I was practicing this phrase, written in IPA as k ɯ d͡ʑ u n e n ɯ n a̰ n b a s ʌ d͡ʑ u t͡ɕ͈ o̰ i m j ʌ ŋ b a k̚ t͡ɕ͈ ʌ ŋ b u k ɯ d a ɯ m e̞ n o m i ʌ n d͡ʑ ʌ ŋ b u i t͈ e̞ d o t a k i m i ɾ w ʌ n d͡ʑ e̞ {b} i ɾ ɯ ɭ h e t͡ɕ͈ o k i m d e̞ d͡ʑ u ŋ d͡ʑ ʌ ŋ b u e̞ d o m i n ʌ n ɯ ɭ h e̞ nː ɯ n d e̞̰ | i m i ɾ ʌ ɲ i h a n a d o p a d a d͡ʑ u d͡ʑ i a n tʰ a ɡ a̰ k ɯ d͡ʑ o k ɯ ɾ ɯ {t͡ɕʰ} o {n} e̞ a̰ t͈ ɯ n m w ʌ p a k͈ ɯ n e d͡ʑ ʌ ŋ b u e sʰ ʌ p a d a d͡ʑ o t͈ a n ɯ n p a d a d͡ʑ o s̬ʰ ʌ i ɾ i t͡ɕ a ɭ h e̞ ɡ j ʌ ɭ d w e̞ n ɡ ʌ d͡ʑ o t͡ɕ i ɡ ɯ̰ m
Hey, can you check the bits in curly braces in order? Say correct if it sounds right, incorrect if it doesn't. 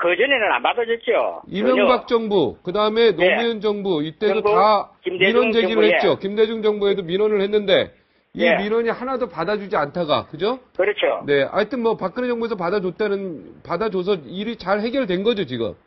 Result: incorrect: ɡ, correct, correct

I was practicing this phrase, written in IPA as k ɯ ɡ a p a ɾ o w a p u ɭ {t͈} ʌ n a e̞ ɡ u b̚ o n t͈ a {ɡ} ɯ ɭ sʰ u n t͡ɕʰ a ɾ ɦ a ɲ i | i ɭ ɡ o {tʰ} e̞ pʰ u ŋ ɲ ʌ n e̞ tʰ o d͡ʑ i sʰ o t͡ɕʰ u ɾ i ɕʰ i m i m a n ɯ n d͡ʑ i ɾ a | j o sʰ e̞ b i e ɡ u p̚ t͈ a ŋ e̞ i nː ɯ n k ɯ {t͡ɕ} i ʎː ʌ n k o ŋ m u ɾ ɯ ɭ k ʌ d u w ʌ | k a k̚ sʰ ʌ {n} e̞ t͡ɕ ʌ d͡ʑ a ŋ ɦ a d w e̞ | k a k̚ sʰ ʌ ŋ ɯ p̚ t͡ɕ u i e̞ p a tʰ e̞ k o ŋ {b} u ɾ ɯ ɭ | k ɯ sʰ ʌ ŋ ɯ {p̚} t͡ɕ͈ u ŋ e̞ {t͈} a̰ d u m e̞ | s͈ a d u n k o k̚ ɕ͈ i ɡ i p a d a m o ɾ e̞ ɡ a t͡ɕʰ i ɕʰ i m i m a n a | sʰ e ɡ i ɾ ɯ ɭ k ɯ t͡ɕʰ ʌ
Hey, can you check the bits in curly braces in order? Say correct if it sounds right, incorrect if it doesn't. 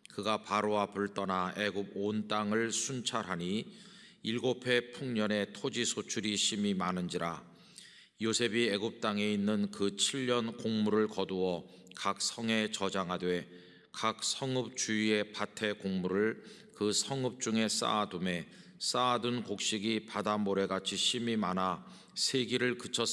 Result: correct, incorrect: ŋ, incorrect: pʰ, incorrect: t͡ɕʰ, incorrect: ŋ, incorrect: m, correct, incorrect: s͈

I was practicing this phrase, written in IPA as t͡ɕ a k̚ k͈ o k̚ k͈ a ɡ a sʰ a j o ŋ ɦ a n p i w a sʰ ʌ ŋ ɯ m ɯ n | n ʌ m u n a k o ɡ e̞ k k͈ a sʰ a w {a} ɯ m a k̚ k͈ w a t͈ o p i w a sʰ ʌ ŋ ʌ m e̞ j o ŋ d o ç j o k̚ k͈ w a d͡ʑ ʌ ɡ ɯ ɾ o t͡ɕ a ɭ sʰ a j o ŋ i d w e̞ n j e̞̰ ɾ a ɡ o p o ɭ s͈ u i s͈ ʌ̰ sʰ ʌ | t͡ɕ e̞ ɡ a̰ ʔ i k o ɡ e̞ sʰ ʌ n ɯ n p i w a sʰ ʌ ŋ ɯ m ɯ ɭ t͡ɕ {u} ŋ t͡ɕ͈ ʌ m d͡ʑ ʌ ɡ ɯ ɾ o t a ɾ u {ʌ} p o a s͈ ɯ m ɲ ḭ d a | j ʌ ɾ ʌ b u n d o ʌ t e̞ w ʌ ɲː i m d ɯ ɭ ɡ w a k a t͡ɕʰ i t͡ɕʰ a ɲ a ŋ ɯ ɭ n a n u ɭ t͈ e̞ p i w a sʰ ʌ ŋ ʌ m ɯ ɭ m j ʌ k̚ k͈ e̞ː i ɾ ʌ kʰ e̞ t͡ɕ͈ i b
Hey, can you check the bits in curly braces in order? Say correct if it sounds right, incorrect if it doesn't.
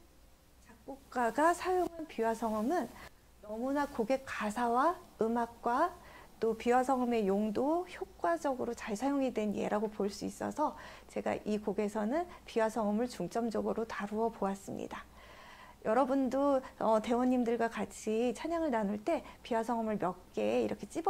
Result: correct, correct, correct

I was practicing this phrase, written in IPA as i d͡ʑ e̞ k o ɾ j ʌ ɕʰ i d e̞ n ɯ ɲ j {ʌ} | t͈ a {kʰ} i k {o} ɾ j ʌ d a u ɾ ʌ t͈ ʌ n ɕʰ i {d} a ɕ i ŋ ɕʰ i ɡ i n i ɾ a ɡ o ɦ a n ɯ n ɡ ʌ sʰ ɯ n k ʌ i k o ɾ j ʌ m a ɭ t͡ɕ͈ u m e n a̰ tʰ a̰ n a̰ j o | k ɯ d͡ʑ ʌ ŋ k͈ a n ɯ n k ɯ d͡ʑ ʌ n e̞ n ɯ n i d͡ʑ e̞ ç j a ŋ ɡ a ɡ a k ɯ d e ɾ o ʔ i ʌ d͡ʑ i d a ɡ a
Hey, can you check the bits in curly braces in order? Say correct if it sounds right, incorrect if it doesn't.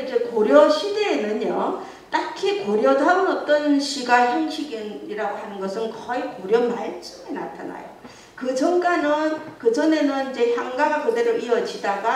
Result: correct, correct, correct, incorrect: ɡ

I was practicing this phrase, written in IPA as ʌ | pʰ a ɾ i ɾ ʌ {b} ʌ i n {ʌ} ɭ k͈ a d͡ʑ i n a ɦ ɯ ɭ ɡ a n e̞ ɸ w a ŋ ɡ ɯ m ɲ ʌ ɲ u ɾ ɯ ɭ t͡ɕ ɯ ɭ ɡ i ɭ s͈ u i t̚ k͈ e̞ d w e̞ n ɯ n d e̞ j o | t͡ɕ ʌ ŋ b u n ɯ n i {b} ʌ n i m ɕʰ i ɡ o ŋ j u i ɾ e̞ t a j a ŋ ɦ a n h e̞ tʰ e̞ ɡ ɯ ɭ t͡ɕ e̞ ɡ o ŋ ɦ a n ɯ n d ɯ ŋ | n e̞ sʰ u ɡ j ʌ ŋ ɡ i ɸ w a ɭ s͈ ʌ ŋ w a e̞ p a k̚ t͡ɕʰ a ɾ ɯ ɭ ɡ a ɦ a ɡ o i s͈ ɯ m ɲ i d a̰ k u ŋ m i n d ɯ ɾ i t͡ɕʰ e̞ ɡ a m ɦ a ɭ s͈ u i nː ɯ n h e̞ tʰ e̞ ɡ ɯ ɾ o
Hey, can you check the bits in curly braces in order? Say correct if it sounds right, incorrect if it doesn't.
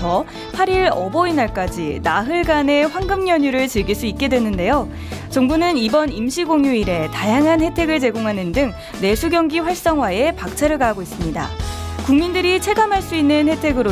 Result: correct, incorrect: a, correct

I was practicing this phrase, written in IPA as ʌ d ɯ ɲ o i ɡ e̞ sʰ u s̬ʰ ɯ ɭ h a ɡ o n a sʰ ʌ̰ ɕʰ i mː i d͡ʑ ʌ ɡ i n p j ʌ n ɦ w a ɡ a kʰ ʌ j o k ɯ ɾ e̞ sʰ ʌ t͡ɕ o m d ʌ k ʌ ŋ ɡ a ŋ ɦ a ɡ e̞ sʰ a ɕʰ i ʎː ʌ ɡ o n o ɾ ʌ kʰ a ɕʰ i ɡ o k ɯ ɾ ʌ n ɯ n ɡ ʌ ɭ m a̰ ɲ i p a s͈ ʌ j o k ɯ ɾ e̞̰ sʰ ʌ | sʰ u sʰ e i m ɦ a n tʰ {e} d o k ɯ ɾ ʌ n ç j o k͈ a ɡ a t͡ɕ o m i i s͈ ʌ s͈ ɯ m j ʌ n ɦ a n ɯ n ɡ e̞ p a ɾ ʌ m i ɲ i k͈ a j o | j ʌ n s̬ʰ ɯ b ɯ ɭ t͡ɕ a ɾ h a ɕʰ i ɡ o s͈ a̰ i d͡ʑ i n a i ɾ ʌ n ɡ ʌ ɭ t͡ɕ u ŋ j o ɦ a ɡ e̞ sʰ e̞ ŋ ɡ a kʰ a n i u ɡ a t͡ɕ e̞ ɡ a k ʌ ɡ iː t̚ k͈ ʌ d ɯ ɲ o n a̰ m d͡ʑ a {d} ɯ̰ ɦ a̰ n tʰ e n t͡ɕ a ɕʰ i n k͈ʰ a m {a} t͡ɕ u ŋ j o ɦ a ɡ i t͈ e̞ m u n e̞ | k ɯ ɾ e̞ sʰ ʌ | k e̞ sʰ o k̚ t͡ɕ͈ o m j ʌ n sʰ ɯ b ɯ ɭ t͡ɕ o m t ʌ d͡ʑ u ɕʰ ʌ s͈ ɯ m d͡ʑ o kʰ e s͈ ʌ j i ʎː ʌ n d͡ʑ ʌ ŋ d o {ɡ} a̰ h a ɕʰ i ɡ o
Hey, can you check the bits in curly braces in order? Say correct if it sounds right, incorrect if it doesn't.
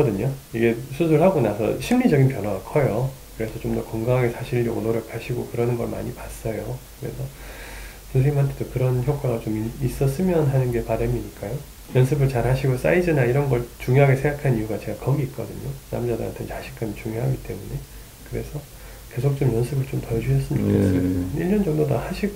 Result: correct, correct, incorrect: i, incorrect: d

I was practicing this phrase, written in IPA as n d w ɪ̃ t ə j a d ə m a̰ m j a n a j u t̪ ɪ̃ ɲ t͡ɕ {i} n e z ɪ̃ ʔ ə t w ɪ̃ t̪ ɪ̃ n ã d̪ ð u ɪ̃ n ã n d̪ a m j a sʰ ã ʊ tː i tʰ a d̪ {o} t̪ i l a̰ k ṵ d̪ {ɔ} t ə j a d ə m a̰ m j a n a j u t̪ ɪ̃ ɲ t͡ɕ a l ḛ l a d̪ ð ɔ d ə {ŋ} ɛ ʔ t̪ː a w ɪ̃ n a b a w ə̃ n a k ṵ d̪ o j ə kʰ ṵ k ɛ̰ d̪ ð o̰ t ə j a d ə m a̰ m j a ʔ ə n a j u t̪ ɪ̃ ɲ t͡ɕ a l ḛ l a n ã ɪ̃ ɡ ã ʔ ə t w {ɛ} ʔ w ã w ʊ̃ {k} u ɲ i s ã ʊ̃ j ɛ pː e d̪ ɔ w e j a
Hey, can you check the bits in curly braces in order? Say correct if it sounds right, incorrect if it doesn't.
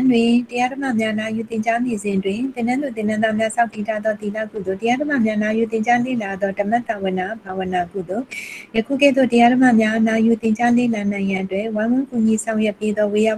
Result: incorrect: a, incorrect: ɔ, incorrect: o, incorrect: m, correct, correct

